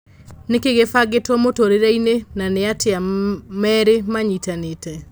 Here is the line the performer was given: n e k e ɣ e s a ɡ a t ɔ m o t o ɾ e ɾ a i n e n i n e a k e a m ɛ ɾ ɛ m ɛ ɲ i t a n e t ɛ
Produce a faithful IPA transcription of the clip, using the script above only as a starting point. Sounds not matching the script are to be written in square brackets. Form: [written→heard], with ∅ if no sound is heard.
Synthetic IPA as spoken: n e k e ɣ e [s→f] a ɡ [a→e] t ɔ m o t o ɾ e ɾ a i n e n [i→a] n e a [k→t] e a m ɛ ɾ [ɛ→e] m [ɛ→a] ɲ i t a n e t ɛ